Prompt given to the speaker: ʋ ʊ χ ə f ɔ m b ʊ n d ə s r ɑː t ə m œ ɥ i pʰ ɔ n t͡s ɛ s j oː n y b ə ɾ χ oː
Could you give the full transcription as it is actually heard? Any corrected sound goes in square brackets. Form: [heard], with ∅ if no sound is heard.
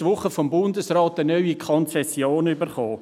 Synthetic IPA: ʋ ʊ χ ə f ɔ m b ʊ n d ə s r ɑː t ə [n] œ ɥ i [kʰ] ɔ n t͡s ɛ s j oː n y b ə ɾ χ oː